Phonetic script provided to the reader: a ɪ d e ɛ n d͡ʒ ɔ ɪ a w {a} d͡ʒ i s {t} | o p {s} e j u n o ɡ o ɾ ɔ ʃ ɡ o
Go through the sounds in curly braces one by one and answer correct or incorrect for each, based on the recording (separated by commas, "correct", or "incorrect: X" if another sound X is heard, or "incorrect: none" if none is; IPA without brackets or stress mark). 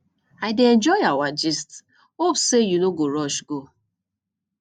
correct, correct, correct